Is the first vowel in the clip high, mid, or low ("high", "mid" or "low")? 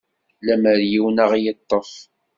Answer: low